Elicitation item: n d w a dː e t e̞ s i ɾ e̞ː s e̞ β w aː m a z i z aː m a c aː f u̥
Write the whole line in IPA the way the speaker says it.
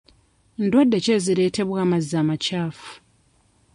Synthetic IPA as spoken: n d w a dː e c e̞ z i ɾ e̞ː t e̞ β w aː m a z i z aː m a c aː f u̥